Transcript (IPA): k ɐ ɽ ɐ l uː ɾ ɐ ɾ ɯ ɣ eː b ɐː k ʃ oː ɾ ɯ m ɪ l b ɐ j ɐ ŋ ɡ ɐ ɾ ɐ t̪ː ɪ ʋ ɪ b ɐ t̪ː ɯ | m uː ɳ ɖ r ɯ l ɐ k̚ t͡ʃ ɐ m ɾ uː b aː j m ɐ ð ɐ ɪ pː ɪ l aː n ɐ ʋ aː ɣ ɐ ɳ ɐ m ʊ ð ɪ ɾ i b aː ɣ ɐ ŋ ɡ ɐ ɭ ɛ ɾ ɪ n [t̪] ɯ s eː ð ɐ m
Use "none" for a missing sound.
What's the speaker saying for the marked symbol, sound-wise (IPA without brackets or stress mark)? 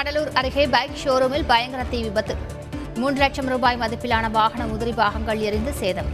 d̪